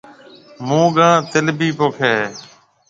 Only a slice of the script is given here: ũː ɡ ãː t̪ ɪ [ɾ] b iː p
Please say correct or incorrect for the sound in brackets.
incorrect: l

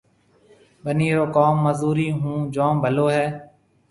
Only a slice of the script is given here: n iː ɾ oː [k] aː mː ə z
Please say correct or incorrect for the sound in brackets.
correct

